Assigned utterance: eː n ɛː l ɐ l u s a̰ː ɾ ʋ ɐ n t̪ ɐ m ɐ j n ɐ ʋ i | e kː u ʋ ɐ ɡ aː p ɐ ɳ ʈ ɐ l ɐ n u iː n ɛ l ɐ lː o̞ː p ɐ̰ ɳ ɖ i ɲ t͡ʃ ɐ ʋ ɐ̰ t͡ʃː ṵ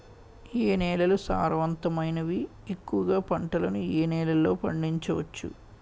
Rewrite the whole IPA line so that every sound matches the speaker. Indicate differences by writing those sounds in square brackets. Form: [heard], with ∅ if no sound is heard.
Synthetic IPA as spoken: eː n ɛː l ɐ l u s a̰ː ɾ ʋ ɐ n t̪ ɐ m ɐ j n ɐ ʋ i | e kː u ʋ ɐ ɡ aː p ɐ ɳ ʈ ɐ l ɐ n u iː n [ɛː] l ɐ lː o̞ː p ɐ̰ ɳ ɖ i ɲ t͡ʃ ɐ ʋ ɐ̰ t͡ʃː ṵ